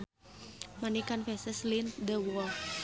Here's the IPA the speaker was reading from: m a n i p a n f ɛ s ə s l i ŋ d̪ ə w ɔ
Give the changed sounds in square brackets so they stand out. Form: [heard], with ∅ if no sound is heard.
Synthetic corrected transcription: m a n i [k] a n f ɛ s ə s l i [n] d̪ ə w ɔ